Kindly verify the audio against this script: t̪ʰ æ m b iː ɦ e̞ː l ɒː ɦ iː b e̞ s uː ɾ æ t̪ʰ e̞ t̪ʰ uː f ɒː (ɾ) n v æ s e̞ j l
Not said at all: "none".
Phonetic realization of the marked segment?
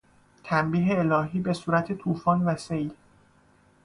none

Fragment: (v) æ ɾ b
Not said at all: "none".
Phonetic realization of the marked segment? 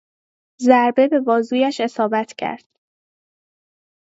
z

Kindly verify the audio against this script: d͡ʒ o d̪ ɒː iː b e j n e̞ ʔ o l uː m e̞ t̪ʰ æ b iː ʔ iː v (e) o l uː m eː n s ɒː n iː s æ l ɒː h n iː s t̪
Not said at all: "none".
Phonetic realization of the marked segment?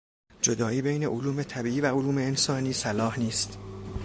æ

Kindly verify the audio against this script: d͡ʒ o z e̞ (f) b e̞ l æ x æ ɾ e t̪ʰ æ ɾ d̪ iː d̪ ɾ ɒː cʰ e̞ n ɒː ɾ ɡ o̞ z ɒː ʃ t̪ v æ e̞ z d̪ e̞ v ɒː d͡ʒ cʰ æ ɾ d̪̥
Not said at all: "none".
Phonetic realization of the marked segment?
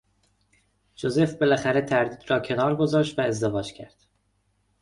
f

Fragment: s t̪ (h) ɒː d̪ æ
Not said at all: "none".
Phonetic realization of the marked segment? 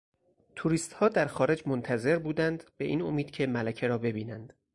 h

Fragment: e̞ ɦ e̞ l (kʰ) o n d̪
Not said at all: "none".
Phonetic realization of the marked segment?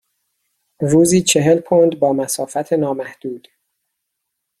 pʰ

